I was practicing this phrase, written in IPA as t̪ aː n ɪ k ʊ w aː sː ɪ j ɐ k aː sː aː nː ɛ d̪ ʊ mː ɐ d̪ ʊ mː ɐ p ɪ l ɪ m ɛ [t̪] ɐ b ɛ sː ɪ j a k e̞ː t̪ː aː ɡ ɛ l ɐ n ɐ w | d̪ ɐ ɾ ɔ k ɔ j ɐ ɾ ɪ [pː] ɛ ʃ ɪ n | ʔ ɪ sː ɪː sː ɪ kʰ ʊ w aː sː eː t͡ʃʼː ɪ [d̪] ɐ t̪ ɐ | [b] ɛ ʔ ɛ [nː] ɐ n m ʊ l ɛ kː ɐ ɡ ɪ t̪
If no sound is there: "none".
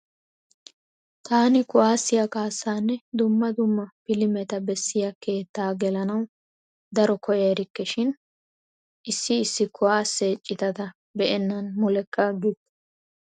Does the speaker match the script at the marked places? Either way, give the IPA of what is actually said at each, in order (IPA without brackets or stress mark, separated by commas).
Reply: t̪, kː, t̪, b, nː